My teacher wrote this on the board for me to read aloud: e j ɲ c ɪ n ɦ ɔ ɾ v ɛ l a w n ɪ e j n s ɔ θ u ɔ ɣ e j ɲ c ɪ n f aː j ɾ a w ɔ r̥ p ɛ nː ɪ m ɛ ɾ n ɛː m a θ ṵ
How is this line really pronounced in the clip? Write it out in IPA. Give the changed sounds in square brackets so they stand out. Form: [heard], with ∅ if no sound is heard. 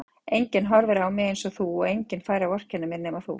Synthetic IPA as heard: e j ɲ c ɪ n ɦ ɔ ɾ v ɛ [ɾ] a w [m] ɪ e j n s ɔ θ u ɔ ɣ e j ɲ c ɪ n f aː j ɾ a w ɔ r̥ [c] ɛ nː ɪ m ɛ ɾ n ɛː m a θ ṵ

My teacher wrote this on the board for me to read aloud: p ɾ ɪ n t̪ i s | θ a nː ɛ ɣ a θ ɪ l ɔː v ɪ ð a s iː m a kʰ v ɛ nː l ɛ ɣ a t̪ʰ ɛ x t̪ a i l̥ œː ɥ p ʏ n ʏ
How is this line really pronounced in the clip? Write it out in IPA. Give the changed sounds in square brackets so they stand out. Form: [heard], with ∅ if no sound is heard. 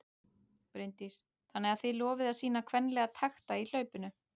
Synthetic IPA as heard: p ɾ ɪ n t̪ i s | θ a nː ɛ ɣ a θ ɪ l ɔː v ɪ ð a s iː [n] a kʰ v ɛ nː l ɛ ɣ a t̪ʰ [a] x t̪ a i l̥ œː ɥ p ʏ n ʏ

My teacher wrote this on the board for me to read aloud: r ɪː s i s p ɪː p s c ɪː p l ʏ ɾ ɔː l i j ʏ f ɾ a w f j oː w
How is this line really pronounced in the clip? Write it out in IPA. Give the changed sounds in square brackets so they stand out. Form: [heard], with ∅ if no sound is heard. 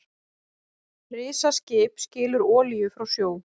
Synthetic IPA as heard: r ɪː s [a] s [c] ɪː p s c ɪː [∅] l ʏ ɾ ɔː l i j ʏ f ɾ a w [s] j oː w

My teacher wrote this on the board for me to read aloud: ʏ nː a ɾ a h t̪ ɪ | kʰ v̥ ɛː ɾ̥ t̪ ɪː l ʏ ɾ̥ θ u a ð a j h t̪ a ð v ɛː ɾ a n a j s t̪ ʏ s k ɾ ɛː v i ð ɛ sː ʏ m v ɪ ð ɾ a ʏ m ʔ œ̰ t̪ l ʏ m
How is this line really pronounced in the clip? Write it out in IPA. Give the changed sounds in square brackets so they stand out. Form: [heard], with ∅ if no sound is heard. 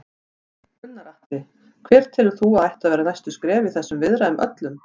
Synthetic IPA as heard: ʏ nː a ɾ a h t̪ ɪ | kʰ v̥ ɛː ɾ̥ [t̪ʰ] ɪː l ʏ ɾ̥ θ u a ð a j h t̪ a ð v ɛː ɾ a n a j s t̪ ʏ s k ɾ ɛː v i [θ] ɛ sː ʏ m v ɪ ð ɾ a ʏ m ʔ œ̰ t̪ l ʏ m

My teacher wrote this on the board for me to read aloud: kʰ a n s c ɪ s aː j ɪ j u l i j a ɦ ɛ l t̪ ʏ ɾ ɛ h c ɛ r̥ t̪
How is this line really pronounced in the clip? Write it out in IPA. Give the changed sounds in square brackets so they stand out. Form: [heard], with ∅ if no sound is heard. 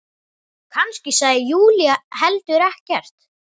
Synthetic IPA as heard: kʰ a n s c ɪ s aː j ɪ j [uː] l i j a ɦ ɛ l t̪ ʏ ɾ ɛ h c ɛ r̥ t̪

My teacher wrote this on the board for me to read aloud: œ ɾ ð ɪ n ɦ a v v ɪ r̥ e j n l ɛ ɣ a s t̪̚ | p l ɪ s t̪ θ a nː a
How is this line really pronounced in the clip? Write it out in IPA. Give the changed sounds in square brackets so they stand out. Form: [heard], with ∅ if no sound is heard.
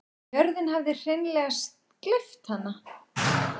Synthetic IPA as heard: œ ɾ ð ɪ n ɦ a v [ð] ɪ r̥ e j n l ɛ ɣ a s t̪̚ | [k] l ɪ [f] t̪ [h] a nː a

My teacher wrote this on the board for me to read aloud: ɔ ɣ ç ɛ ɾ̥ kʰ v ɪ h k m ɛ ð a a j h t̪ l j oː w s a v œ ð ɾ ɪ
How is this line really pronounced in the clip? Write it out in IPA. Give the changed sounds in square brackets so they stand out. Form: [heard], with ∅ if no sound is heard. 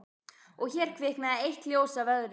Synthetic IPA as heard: ɔ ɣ ç ɛ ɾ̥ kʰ v ɪ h k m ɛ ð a [e] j h t̪ l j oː w s a v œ ð ɾ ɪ

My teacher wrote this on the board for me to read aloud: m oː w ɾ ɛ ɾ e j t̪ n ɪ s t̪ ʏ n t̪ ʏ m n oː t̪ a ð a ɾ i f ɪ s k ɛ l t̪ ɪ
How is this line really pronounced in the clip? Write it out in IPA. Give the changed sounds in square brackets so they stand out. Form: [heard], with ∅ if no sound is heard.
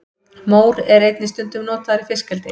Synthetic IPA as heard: m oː w ɾ ɛ ɾ e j t̪ n ɪ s t̪ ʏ n t̪ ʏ m n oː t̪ a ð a ɾ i f ɪ s k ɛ l t̪ ɪ

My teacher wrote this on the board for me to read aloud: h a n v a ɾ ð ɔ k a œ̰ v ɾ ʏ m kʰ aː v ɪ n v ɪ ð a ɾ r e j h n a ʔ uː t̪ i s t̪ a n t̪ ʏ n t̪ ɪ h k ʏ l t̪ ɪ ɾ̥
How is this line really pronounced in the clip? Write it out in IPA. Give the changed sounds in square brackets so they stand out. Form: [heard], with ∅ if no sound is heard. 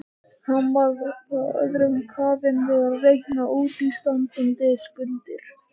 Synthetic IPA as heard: h a n v a ɾ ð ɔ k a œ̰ [ð] ɾ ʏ m kʰ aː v ɪ n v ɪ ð a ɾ r e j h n a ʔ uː t̪ i s t̪ a n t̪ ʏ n t̪ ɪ [s] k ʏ l t̪ ɪ ɾ̥

